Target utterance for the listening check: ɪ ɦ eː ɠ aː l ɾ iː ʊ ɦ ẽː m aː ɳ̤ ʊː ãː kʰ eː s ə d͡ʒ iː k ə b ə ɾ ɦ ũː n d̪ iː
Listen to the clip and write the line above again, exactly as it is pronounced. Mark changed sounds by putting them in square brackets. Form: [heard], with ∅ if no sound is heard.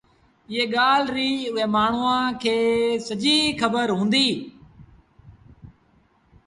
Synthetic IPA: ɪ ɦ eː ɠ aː l ɾ iː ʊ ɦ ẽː m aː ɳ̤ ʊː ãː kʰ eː s ə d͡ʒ iː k ə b ə ɾ ɦ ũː n d̪ iː